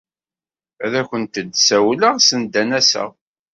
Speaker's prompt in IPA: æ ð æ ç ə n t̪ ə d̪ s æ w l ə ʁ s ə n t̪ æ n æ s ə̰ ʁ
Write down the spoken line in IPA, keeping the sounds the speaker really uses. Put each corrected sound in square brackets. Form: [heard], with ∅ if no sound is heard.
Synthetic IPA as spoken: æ ð æ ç ə n t̪ ə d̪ s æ w l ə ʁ s ə n [d̪] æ n æ s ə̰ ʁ